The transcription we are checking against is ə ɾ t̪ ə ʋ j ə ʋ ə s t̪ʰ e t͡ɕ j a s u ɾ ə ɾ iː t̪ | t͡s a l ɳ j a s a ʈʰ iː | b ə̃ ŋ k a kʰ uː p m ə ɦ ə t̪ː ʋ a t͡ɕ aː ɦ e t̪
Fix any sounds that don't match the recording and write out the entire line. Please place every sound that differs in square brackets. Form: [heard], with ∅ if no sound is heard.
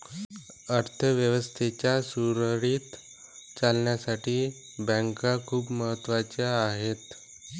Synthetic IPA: ə ɾ [t̪ʰ] ə ʋ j ə ʋ ə s t̪ʰ e t͡ɕ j a s u ɾ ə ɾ iː t̪ | t͡s a l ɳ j a s a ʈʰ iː | b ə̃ ŋ k a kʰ uː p m ə ɦ ə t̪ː ʋ a t͡ɕ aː ɦ e t̪